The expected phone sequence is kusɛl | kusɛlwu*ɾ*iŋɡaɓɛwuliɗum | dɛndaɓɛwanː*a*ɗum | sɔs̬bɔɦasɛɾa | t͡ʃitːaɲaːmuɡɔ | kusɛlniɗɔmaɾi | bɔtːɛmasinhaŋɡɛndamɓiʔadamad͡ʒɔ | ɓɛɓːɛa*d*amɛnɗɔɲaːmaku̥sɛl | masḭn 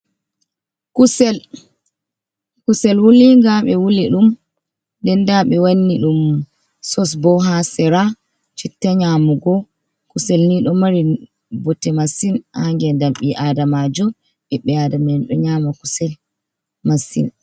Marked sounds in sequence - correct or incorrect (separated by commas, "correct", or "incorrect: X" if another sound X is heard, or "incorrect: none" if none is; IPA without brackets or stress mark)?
incorrect: l, incorrect: i, correct